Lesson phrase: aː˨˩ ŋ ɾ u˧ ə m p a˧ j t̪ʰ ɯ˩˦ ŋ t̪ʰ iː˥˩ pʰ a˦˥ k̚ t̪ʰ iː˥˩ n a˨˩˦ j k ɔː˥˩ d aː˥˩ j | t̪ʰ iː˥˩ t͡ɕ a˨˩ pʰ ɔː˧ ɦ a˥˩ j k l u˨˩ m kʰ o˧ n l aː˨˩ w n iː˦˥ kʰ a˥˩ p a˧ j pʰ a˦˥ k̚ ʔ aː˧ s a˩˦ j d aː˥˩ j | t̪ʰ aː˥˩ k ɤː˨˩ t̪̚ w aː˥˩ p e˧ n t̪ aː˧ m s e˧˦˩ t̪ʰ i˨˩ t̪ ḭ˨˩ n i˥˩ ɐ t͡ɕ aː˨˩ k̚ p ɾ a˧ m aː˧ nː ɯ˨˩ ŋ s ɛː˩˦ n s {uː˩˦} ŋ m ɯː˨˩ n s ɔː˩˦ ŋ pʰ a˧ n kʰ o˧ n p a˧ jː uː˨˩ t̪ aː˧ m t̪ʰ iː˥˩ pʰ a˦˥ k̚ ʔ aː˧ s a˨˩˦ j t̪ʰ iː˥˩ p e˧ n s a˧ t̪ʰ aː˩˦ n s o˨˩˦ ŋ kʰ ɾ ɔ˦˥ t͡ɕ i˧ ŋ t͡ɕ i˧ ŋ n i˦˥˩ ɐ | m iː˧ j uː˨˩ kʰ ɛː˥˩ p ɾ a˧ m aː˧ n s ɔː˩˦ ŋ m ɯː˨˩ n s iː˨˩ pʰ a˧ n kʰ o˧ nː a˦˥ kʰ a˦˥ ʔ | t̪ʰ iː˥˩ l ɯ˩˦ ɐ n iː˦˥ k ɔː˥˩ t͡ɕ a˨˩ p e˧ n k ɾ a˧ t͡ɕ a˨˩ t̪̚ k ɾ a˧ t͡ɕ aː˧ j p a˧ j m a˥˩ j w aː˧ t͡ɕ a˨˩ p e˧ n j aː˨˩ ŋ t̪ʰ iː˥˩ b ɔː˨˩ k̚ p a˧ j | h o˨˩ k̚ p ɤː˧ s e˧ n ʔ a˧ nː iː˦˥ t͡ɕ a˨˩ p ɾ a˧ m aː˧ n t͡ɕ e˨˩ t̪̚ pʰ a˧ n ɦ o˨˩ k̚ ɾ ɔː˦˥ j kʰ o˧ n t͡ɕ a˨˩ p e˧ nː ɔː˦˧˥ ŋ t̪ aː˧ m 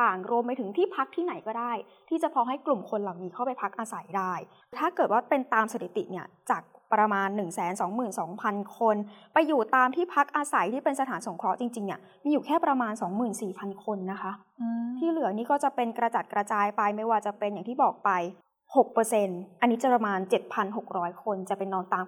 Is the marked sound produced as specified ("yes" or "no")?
no